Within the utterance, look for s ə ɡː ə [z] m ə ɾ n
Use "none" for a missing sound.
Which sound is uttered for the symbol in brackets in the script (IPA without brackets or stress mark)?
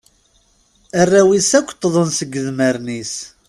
ð